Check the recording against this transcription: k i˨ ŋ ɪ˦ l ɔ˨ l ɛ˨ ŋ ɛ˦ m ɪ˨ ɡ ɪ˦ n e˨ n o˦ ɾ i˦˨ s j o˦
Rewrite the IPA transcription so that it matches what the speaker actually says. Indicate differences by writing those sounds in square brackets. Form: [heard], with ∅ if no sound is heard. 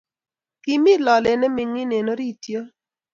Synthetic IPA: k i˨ [m] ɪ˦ l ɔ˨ l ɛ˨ [n] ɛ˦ m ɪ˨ [ŋ] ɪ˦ n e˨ n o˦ ɾ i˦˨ [t] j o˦